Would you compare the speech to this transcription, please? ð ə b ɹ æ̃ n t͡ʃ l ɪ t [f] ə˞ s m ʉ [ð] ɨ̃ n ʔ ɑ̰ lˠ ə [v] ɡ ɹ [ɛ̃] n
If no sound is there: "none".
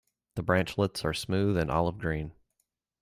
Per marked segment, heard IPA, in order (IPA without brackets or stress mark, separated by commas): s, ð, v, ĩ